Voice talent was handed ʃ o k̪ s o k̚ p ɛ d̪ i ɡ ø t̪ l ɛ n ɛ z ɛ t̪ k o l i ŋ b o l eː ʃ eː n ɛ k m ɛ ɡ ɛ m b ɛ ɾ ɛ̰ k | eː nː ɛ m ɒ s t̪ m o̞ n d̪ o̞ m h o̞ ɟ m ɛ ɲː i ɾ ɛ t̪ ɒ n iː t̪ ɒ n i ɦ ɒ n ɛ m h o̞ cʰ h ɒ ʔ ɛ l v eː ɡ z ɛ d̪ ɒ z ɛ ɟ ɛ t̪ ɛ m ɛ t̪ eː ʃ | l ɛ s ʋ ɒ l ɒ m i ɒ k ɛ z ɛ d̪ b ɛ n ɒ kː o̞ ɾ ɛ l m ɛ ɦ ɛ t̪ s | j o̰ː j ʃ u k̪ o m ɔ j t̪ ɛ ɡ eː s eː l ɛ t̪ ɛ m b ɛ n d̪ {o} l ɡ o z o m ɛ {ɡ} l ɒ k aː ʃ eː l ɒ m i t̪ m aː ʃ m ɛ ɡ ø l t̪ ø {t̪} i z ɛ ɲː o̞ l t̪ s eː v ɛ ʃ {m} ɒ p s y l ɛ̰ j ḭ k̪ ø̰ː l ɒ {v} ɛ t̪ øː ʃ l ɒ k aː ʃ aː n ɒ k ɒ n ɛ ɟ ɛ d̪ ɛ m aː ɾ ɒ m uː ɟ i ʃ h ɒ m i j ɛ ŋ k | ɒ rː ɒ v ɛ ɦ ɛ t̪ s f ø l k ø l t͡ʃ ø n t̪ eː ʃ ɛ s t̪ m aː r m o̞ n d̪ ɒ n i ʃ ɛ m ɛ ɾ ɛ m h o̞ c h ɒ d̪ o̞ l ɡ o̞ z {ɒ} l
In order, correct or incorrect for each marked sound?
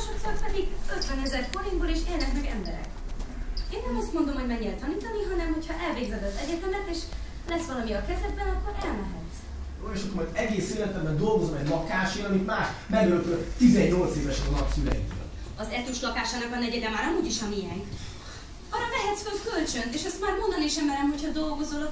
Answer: correct, incorrect, correct, incorrect, incorrect, incorrect

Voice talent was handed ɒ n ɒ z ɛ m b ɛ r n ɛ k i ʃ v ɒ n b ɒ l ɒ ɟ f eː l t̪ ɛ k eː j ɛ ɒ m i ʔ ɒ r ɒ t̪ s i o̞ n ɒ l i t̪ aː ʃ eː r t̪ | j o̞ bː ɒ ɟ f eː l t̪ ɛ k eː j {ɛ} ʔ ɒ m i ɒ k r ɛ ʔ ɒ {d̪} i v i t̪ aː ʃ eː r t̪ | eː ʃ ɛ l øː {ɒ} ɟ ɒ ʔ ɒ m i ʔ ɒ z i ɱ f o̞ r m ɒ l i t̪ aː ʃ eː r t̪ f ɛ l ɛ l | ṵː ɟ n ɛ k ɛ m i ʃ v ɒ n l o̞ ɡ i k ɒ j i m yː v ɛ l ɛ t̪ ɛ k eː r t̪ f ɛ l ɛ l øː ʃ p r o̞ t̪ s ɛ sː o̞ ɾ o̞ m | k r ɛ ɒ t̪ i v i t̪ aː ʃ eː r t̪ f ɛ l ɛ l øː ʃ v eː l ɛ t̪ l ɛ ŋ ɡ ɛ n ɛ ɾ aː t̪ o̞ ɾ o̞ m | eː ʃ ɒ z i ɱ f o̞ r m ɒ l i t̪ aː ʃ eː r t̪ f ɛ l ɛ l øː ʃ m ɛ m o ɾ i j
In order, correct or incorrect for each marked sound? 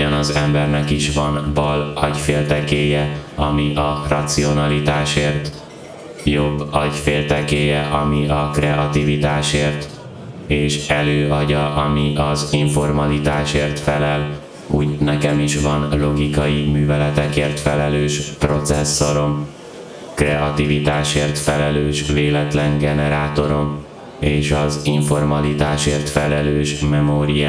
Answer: correct, incorrect, correct

